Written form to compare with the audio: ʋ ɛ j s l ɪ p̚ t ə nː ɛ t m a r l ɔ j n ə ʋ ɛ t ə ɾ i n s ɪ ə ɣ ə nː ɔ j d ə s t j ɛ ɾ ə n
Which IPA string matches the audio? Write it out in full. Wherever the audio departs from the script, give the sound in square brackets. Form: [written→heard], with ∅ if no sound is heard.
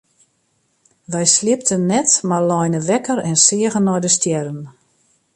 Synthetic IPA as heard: ʋ ɛ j s l ɪ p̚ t ə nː ɛ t m a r l ɔ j n ə ʋ ɛ [t→k] ə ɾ [i→ɛ] n s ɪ ə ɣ ə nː ɔ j d ə s t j ɛ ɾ ə n